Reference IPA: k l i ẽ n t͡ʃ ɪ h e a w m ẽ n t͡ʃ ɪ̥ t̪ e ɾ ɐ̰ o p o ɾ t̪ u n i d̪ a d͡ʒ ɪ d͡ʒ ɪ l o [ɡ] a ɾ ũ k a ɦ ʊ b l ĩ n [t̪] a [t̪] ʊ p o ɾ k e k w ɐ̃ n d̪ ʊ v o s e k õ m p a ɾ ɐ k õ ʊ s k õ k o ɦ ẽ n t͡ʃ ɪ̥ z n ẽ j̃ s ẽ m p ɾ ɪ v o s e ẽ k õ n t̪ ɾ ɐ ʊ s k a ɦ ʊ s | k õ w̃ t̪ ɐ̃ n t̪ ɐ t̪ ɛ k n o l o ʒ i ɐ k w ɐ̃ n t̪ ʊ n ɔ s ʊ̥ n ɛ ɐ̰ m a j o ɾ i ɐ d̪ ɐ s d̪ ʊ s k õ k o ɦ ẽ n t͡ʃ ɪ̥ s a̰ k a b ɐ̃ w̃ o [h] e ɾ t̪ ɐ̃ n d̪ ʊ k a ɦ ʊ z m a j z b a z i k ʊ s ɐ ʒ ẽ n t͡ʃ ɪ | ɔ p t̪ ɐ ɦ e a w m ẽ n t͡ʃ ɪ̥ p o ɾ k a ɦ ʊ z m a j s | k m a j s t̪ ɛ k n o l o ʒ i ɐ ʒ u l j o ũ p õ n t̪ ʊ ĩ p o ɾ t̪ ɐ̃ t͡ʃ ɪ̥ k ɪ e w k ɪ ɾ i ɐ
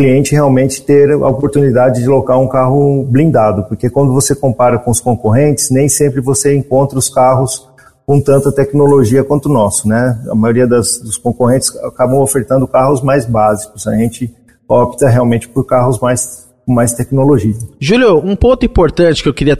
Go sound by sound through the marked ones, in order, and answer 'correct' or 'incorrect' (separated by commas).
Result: incorrect, incorrect, incorrect, incorrect